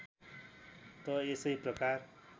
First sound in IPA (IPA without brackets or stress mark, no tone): t̪